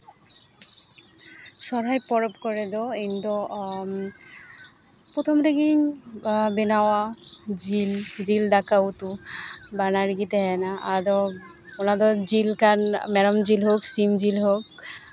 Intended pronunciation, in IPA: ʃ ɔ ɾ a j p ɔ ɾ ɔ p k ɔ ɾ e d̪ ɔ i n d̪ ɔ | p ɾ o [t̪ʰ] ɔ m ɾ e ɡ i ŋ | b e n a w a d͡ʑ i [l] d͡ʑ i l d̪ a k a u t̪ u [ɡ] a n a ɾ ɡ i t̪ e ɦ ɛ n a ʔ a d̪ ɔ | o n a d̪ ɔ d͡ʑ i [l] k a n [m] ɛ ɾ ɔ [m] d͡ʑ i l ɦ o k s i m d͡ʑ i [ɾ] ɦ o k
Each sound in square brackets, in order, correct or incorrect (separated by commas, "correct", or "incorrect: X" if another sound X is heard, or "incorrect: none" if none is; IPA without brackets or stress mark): correct, correct, incorrect: b, correct, correct, correct, incorrect: l